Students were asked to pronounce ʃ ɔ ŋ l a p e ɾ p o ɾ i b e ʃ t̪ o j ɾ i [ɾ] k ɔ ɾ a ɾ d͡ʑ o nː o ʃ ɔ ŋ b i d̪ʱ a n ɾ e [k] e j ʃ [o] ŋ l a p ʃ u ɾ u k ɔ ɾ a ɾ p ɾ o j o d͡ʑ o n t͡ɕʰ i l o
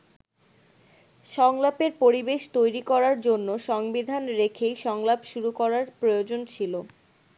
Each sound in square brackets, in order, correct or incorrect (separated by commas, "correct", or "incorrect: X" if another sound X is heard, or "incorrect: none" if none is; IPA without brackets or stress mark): incorrect: none, incorrect: kʰ, incorrect: ɔ